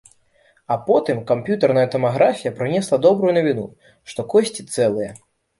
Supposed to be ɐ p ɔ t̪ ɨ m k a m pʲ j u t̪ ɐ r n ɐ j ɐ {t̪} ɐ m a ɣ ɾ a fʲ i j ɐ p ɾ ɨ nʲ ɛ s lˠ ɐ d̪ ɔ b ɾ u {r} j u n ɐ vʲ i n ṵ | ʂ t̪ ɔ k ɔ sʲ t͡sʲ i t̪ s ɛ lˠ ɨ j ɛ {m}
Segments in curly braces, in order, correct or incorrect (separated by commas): correct, incorrect, incorrect